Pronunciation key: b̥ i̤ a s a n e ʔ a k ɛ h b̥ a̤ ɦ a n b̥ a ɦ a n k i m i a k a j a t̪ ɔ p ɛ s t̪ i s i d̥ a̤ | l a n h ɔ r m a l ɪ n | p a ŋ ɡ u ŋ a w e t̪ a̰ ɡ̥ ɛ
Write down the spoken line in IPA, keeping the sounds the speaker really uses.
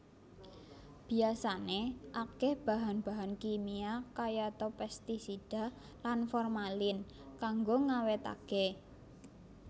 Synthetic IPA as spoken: b̥ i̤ a s a n e ʔ a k ɛ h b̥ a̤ ɦ a n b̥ a ɦ a n k i m i a k a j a t̪ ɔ p ɛ s t̪ i s i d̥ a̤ | l a n f ɔ r m a l ɪ n | k a ŋ ɡ o ŋ a w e t̪ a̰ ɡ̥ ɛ